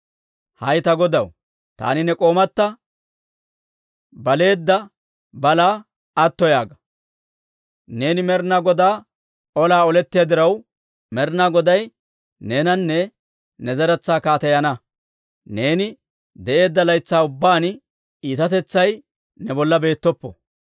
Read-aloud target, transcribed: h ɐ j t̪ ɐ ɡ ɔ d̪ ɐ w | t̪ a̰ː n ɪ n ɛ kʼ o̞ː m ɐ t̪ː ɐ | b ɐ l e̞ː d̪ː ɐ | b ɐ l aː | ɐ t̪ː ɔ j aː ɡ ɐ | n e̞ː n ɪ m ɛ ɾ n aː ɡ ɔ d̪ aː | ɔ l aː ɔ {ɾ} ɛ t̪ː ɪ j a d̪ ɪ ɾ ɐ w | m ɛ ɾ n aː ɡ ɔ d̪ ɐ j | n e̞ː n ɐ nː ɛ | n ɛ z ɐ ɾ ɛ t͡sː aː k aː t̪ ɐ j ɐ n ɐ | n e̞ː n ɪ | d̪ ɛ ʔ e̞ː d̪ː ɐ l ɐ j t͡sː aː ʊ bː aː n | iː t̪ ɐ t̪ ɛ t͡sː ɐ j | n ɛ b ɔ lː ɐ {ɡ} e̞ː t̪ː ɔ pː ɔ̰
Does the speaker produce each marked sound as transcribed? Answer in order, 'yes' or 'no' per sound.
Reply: no, no

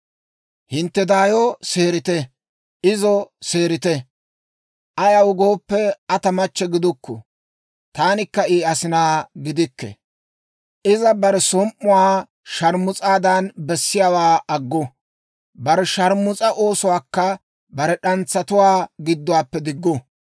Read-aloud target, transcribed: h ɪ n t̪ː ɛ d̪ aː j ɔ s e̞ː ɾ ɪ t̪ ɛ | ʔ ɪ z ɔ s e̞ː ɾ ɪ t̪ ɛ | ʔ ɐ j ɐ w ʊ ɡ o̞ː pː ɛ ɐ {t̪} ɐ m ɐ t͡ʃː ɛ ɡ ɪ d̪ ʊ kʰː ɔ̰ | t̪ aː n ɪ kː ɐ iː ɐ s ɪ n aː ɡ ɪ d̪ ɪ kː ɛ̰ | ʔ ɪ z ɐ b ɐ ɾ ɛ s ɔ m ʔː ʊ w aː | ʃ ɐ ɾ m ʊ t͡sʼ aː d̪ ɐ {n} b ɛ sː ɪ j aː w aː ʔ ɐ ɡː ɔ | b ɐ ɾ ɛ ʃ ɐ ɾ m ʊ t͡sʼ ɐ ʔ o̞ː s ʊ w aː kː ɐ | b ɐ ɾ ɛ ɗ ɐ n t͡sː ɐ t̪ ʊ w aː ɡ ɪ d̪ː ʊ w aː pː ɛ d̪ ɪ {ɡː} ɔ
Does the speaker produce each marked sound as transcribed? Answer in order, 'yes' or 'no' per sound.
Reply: yes, yes, yes

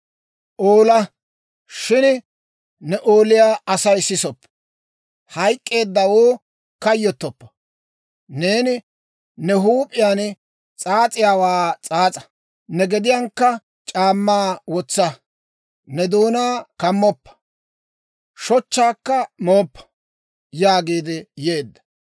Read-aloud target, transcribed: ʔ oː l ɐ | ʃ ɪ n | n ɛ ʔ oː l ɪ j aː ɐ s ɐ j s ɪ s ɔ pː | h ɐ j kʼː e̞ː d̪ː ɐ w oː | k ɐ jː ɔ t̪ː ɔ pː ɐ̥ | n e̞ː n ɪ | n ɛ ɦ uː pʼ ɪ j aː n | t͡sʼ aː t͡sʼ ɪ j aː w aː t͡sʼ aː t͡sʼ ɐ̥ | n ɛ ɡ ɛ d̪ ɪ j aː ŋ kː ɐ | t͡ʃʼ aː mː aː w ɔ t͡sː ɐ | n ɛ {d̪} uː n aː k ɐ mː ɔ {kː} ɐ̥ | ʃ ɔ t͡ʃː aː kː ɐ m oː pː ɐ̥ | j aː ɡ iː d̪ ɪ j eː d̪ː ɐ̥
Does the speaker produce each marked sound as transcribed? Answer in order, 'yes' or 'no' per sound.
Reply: yes, no

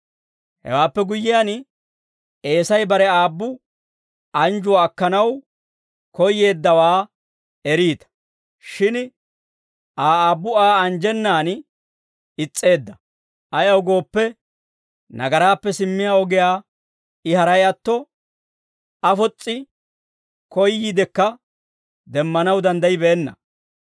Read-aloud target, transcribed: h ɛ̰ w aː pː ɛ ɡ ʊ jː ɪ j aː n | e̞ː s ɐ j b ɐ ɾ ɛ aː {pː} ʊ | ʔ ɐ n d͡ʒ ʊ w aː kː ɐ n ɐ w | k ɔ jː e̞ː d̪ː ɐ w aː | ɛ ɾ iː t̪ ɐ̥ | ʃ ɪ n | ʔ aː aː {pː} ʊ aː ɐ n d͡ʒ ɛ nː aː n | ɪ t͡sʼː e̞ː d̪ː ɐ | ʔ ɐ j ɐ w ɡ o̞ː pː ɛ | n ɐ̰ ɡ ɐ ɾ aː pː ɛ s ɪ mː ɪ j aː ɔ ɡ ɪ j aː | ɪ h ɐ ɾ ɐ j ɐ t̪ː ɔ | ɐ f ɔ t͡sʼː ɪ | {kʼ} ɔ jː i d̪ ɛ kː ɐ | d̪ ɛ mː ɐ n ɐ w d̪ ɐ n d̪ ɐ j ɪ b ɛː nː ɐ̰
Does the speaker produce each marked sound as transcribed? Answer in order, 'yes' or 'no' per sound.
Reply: no, no, no

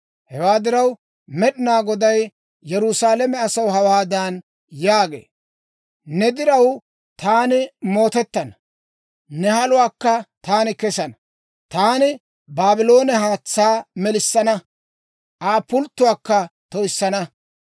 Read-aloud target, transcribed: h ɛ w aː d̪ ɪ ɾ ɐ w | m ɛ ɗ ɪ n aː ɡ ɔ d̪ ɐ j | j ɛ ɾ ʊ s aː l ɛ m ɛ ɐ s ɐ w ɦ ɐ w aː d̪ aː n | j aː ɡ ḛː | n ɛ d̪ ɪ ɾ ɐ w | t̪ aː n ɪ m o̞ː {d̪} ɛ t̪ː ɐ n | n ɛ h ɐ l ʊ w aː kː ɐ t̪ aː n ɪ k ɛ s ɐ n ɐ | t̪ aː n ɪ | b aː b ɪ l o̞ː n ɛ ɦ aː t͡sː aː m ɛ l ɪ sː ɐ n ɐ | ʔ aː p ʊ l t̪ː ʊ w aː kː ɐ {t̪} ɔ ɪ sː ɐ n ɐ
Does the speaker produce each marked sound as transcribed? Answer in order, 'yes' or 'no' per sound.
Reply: no, yes

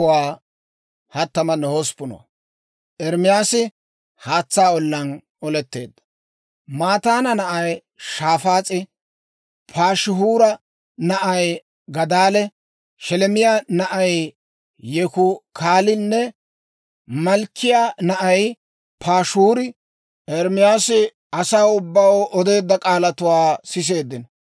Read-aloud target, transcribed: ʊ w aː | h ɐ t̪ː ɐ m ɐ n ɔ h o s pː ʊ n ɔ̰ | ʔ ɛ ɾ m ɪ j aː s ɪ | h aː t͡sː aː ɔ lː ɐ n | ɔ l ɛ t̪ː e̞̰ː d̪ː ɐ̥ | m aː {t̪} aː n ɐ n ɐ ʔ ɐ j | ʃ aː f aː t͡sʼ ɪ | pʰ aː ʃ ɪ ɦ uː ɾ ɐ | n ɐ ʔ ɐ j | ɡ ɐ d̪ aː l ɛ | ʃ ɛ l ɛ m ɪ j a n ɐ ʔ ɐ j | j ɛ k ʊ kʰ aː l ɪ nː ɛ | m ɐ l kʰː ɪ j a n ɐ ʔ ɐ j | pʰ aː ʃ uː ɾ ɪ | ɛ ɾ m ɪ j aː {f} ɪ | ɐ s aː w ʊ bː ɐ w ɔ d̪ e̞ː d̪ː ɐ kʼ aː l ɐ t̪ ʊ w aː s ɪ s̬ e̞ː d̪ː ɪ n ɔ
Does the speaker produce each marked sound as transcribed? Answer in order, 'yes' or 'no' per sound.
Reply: yes, no

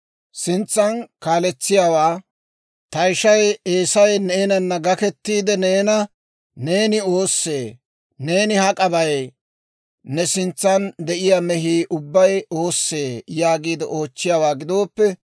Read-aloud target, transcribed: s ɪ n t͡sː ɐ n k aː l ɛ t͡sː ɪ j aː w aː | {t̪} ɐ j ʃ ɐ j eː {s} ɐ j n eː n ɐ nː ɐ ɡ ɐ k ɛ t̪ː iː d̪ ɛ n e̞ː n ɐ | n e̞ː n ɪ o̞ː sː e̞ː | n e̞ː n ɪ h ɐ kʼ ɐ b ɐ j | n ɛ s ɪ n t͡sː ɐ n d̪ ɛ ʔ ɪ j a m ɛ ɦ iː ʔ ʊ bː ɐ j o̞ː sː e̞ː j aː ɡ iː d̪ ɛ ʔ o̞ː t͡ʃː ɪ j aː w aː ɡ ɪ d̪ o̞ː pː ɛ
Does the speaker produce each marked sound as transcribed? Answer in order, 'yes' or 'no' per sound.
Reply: yes, yes

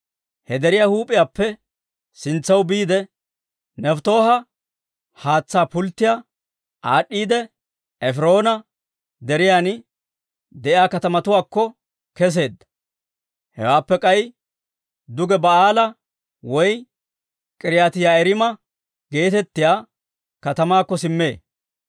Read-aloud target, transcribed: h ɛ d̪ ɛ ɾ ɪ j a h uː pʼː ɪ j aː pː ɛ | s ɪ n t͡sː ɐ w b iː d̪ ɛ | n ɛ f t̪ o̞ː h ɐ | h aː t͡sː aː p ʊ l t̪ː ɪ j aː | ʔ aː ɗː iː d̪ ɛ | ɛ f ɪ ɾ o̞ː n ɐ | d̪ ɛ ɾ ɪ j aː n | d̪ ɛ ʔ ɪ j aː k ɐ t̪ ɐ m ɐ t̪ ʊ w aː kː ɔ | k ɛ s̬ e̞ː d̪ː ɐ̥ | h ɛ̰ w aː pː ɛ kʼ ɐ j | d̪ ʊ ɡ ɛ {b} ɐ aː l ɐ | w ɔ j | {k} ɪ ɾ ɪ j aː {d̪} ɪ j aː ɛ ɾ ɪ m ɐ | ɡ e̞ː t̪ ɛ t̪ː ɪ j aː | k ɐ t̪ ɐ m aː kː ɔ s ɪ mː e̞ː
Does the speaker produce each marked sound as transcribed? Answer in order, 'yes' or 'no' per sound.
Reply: yes, no, no

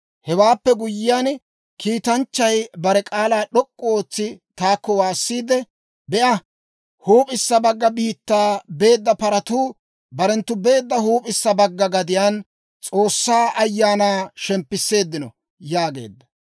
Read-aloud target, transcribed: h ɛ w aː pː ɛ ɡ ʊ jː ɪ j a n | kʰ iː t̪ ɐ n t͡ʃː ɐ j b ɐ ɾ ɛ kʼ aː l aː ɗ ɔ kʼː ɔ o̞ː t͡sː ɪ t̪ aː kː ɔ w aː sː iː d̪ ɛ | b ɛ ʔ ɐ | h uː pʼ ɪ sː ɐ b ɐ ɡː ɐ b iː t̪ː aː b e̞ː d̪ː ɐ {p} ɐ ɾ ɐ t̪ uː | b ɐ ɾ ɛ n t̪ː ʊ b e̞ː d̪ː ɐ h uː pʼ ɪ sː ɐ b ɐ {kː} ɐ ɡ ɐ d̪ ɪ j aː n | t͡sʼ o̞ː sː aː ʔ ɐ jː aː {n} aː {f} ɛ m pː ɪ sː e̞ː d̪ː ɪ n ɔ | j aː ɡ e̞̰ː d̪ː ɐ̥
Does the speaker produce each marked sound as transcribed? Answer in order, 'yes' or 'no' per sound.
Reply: yes, no, yes, no

